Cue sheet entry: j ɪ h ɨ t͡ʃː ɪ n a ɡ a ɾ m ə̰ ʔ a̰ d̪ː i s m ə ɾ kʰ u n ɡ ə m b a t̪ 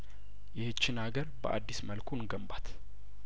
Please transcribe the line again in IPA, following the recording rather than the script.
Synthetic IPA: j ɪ h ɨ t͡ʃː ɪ n a ɡ ə ɾ b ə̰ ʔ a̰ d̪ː i s m ə l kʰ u n ɡ ə m b a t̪